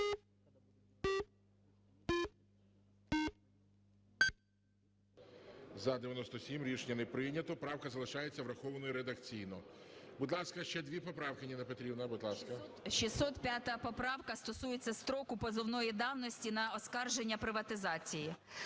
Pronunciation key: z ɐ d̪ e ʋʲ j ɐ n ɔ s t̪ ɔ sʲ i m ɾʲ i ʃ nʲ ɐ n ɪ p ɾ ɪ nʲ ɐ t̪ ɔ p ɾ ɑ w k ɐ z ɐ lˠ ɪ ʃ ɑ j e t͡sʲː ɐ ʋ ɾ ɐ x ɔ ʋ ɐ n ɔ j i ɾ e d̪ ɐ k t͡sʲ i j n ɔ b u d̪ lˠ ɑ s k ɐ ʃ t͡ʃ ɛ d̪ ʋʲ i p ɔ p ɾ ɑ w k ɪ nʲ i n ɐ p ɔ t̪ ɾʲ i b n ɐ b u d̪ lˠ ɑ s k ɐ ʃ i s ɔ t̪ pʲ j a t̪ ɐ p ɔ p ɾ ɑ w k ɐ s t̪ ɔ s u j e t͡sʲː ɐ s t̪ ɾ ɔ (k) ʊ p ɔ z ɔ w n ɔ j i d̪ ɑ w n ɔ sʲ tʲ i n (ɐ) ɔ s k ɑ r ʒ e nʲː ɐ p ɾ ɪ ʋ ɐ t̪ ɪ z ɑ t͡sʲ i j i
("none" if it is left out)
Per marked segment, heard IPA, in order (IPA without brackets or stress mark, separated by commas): k, ɐ